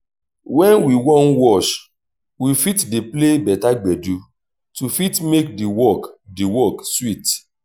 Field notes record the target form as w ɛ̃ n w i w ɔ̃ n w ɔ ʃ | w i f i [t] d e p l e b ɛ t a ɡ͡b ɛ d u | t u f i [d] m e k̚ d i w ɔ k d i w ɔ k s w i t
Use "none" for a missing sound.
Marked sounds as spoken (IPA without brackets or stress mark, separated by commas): t, t